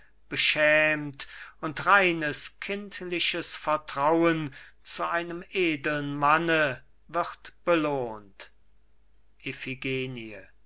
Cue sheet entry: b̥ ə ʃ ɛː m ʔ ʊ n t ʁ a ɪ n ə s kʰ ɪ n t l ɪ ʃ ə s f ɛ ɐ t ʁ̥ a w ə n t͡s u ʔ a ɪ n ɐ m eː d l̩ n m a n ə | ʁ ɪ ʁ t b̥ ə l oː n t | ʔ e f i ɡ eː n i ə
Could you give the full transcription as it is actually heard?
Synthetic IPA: b̥ ə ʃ ɛː m t ʊ n t ʁ a ɪ n ə s kʰ ɪ n t l ɪ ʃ ə s f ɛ ɐ t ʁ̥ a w ə n t͡s u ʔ a ɪ n ə m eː d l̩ n m a n ə | v ɪ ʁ t b̥ ə l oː n t | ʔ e f i ɡ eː n i ə